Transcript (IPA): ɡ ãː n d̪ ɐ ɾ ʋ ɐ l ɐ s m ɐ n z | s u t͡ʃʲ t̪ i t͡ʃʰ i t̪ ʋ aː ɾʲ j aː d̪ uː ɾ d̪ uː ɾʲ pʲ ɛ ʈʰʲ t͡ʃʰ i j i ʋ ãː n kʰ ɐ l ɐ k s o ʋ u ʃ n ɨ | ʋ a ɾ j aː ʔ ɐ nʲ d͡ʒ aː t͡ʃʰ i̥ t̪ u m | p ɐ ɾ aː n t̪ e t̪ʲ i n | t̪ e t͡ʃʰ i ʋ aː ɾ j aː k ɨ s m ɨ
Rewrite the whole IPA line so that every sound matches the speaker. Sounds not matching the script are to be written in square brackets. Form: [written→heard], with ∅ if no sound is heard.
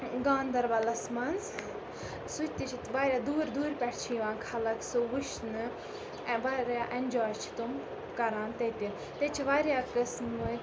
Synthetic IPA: ɡ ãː n d̪ ɐ ɾ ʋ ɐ l ɐ s m ɐ n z | s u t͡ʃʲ t̪ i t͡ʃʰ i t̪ ʋ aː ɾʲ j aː d̪ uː ɾ d̪ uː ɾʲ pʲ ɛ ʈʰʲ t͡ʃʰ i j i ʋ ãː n kʰ ɐ l ɐ k s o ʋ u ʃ n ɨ | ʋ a ɾ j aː ʔ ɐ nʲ d͡ʒ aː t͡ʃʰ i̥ t̪ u m | [p→k] ɐ ɾ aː n t̪ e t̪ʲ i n | t̪ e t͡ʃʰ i ʋ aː ɾ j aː k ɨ s m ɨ

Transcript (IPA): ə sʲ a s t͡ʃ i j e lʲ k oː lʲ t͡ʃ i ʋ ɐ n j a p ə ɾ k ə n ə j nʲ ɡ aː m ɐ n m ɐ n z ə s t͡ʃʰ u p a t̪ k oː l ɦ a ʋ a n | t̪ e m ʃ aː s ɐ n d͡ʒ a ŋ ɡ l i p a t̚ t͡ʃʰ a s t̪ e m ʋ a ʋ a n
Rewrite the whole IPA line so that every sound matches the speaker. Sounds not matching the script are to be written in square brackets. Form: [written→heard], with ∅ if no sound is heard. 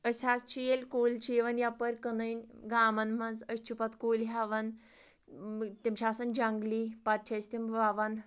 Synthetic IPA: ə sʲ a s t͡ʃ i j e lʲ k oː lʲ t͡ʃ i ʋ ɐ n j a p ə ɾ k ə n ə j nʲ ɡ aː m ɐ n m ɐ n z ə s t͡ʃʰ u p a t̪ k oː l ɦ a ʋ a n | t̪ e m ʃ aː s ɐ n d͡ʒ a ŋ ɡ l i p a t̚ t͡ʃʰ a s t̪ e m ʋ a ʋ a n

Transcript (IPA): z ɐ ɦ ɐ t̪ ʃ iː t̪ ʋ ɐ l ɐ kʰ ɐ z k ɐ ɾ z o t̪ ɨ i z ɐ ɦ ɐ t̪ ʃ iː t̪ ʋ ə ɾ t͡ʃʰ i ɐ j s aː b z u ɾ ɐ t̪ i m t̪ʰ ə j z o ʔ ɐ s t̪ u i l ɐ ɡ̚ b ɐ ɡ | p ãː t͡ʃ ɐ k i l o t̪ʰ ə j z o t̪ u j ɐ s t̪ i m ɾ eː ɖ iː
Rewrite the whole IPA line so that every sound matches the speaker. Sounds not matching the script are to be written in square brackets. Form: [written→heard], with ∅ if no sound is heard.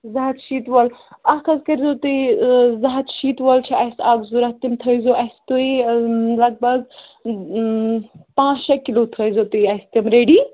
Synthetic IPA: z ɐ ɦ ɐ t̪ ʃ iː t̪ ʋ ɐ l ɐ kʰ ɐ z k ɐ ɾ z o t̪ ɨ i z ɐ ɦ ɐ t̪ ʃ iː t̪ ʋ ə [ɾ→l] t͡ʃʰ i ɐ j s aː [b→ɡ] z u ɾ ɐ t̪ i m t̪ʰ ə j z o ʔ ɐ s t̪ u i l ɐ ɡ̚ b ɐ ɡ | p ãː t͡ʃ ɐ k i l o t̪ʰ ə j z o t̪ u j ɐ s t̪ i m ɾ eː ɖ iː

